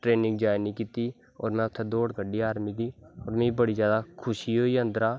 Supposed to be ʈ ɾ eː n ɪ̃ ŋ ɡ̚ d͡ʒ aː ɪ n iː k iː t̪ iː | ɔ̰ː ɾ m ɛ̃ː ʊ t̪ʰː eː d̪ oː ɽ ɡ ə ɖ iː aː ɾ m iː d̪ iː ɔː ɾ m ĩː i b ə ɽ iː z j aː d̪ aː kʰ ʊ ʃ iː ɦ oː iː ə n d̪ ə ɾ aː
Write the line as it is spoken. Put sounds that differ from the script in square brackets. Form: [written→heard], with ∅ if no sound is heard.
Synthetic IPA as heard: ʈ ɾ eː n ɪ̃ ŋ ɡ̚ d͡ʒ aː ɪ n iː k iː t̪ iː | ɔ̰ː ɾ m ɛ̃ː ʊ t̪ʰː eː d̪ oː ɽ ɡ ə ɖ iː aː ɾ m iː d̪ iː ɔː ɾ m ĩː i b ə ɽ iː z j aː d̪ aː kʰ ʊ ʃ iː ɦ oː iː ə n d̪ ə ɾ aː